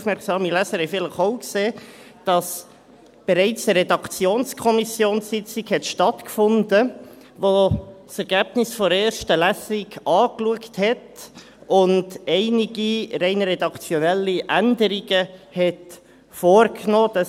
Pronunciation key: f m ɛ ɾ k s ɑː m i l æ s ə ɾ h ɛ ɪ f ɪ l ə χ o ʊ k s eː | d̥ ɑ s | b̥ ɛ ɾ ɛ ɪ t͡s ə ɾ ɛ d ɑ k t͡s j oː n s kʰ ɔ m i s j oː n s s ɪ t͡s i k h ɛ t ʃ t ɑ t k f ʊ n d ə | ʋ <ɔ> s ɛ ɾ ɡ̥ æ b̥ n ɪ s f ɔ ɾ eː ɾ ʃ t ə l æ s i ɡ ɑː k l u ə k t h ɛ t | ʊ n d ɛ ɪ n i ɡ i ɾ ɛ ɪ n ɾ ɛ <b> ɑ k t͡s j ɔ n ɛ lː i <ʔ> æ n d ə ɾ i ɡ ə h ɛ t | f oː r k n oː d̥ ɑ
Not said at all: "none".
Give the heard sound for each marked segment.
o, d, ʔ

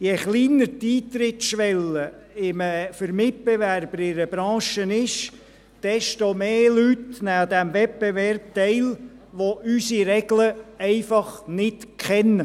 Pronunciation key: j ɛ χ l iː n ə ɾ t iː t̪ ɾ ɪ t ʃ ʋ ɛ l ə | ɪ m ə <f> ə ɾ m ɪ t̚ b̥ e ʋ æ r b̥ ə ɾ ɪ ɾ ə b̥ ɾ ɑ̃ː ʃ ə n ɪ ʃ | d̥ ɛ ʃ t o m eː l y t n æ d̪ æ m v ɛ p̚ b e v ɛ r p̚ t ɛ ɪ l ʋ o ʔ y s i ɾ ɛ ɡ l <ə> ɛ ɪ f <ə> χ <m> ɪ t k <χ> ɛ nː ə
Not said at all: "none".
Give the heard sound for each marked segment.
f, ə, ɑ, n, χ

